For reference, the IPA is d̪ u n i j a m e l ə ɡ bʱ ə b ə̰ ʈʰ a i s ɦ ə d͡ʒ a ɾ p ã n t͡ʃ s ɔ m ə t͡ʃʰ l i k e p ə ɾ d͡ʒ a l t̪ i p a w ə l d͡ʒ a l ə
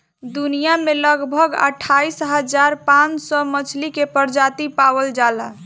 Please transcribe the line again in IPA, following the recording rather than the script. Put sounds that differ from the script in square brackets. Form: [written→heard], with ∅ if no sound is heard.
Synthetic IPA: d̪ u n i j a m e l ə ɡ bʱ ə [b→ɡ] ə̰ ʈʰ a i s ɦ ə d͡ʒ a ɾ p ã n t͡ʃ s ɔ m ə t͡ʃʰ l i k e p ə ɾ d͡ʒ a [l→∅] t̪ i p a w ə l d͡ʒ a l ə

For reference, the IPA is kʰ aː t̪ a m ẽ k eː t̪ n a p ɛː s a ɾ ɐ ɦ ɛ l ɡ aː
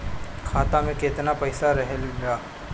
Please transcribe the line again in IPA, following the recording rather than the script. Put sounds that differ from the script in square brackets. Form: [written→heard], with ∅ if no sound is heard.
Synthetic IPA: kʰ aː t̪ a m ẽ k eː t̪ n a p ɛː s a ɾ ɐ ɦ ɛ l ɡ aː

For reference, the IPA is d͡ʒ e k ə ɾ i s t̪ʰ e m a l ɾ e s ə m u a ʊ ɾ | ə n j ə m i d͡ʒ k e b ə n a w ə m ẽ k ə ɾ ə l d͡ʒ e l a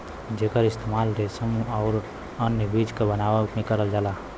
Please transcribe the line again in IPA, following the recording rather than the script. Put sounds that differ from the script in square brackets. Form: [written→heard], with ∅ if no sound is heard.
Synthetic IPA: d͡ʒ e k ə ɾ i s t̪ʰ e m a l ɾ e s ə m u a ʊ ɾ | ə n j ə [m→b] i d͡ʒ k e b ə n a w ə m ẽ k ə ɾ ə l d͡ʒ [e→a] l a

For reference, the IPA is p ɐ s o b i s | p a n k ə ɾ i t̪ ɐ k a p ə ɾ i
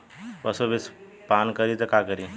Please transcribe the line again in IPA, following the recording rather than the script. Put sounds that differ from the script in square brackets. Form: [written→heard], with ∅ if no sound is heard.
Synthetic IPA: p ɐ s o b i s | p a n k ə ɾ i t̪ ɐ k a [p→k] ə ɾ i

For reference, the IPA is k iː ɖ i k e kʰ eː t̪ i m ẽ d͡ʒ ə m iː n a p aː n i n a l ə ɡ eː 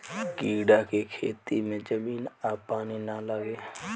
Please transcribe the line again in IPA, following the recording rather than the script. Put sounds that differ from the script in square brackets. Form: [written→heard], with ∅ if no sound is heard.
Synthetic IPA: k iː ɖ [i→a] k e kʰ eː t̪ i m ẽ d͡ʒ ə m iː n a p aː n i n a l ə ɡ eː

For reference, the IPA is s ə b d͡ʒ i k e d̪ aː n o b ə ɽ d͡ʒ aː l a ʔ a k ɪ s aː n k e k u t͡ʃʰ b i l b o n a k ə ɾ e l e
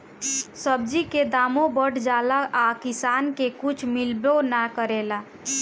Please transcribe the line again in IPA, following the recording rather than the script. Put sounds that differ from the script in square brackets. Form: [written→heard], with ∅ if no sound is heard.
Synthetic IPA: s ə b d͡ʒ i k e d̪ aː [n→m] o b ə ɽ d͡ʒ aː l a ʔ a k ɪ s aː n k e k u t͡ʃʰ [b→m] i l b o n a k ə ɾ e l [e→a]

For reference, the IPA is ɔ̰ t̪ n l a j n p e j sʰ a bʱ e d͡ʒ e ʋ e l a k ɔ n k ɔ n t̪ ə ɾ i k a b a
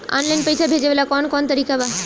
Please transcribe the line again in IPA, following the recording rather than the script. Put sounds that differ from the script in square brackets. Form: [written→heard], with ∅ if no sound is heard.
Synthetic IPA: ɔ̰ [t̪→∅] n l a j n p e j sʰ a bʱ e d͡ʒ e ʋ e l a k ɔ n k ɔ n t̪ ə ɾ i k a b a

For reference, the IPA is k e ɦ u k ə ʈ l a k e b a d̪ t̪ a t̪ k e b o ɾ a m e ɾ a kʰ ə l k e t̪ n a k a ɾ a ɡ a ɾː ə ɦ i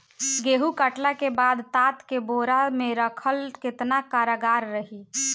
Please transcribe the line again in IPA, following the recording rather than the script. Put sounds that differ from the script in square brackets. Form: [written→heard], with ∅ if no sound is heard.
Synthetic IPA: [k→ɡ] e ɦ u k ə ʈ l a k e b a d̪ t̪ a t̪ k e b o ɾ a m e ɾ [a→ə] kʰ ə l k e t̪ n a k a ɾ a ɡ a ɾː ə ɦ i

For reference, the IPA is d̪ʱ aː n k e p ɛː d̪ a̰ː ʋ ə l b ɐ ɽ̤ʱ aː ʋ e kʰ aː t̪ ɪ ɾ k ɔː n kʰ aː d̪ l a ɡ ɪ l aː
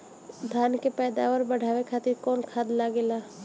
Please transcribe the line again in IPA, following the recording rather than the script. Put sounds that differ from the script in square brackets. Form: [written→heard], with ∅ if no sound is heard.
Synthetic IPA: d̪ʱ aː n k e p ɛː d̪ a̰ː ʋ ə [l→ɾ] b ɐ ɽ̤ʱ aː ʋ e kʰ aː t̪ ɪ ɾ k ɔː n kʰ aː d̪ l a ɡ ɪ l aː

